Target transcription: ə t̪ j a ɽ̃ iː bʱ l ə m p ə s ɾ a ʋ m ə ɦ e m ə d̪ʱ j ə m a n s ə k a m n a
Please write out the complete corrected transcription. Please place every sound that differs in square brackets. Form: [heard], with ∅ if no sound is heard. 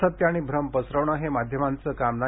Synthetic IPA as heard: ə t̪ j a ɽ̃ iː bʱ [ɾ] ə m p ə s ɾ [ə] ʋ [ɳ] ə ɦ e m [a] d̪ʱ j ə m a n [t͡s] ə k a m n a